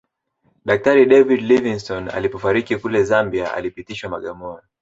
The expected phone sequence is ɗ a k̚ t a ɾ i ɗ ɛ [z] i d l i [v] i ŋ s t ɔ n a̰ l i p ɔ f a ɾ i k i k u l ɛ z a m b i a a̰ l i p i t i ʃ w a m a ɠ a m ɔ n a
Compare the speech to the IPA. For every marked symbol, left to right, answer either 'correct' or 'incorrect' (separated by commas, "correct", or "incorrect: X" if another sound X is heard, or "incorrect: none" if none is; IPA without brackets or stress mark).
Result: incorrect: v, correct